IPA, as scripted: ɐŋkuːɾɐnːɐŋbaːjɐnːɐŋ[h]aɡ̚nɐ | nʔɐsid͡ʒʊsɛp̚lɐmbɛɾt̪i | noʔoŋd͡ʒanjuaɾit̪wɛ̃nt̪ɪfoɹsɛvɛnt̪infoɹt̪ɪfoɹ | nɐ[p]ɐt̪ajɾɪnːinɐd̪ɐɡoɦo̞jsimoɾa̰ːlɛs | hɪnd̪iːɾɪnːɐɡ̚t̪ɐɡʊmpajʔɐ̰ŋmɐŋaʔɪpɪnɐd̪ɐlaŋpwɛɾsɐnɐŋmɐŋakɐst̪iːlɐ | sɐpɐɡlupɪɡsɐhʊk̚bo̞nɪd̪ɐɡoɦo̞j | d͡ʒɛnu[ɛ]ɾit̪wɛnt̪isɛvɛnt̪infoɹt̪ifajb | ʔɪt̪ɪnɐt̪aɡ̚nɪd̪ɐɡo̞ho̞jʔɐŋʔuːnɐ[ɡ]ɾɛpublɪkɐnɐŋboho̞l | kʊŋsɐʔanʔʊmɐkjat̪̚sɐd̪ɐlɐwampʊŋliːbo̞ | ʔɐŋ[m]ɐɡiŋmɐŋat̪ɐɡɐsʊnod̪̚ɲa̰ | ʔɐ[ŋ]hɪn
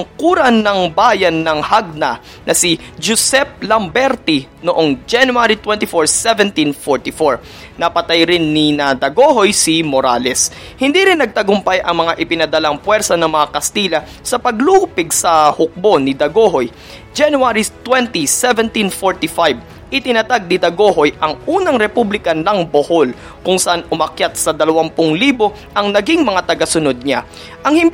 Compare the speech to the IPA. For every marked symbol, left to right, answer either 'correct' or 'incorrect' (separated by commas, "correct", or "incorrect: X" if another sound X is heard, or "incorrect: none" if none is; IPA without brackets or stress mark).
correct, correct, incorrect: a, incorrect: ŋ, incorrect: n, correct